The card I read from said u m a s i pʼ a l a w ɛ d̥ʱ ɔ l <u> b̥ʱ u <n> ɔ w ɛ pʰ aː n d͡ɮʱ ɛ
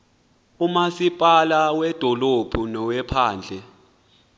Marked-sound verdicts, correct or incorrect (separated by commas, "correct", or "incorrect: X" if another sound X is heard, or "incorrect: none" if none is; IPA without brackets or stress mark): incorrect: o, correct